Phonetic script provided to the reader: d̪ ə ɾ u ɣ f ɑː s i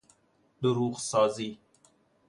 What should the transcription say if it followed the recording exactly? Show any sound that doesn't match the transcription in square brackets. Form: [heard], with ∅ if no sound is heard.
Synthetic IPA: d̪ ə ɾ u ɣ [s] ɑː [z] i